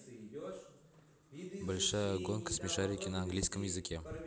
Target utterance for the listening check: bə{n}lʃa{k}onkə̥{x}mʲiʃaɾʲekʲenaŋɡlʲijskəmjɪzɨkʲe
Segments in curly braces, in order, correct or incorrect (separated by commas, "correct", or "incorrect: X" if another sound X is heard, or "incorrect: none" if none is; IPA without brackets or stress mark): incorrect: none, incorrect: ɡ, incorrect: s